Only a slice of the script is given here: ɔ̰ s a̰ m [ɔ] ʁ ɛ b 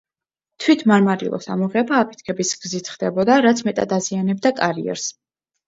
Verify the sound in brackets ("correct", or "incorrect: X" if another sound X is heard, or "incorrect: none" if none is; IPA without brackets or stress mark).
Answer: correct